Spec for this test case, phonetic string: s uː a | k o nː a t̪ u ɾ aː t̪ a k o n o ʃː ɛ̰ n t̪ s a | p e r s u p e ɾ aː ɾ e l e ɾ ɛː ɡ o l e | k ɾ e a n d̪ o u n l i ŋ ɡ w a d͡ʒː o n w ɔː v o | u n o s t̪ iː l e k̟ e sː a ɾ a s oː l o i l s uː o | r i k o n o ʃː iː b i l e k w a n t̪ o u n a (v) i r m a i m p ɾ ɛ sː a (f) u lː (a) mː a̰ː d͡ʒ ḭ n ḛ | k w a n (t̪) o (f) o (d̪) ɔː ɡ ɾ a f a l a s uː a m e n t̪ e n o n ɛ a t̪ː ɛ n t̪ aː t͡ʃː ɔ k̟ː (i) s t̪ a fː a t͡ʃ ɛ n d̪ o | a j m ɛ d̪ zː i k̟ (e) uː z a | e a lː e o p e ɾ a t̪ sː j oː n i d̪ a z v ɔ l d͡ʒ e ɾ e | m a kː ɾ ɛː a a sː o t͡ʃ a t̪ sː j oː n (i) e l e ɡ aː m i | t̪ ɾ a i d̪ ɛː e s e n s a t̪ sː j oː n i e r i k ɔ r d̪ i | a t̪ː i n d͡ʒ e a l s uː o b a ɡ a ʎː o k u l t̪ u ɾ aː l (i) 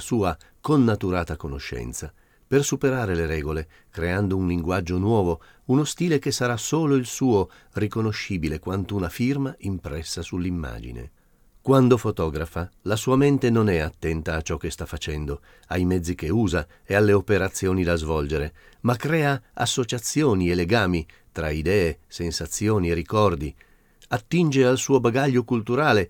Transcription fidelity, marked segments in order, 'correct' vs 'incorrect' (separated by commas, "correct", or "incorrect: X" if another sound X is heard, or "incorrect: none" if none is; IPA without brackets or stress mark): incorrect: f, incorrect: s, incorrect: i, incorrect: d̪, correct, incorrect: t̪, incorrect: e, correct, correct, incorrect: e